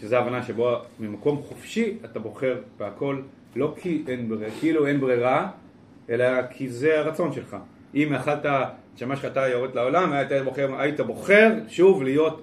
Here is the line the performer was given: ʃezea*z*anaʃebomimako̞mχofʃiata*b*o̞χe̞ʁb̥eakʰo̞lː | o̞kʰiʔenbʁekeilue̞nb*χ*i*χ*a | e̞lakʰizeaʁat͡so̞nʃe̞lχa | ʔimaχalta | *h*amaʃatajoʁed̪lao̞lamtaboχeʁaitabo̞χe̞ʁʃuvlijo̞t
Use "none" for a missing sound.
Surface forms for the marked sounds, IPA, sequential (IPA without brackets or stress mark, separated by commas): v, b, ʁ, ʁ, ʃ